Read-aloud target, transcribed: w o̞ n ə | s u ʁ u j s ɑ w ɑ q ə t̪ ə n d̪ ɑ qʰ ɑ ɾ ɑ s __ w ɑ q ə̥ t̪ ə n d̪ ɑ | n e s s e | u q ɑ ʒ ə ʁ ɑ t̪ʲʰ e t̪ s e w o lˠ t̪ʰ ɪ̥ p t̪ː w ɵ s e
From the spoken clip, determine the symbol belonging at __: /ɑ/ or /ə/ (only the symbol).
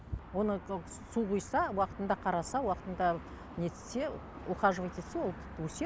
ɑ